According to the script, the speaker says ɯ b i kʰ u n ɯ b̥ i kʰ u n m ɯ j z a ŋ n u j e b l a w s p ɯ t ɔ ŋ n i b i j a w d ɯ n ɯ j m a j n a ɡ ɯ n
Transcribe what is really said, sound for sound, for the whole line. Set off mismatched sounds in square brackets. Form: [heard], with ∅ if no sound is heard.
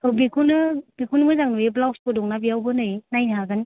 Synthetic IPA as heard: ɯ b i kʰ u n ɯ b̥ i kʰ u n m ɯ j z a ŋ n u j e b l a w s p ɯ [d] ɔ ŋ n [a] b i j a w [b] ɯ n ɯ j [n] a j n a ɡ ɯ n